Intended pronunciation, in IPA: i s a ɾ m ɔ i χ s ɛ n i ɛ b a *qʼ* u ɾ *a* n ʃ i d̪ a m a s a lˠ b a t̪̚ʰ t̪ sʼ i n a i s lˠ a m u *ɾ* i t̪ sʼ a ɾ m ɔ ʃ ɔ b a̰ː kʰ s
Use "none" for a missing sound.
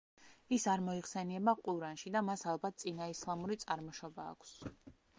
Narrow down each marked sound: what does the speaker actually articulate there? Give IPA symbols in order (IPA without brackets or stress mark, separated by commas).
qʼ, a, ɾ